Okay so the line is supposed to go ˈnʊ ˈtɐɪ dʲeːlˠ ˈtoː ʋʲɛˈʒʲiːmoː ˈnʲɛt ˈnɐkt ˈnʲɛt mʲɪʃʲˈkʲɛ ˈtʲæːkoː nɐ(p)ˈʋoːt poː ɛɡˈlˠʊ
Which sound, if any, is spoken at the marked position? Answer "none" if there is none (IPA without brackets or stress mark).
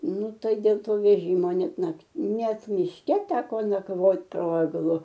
k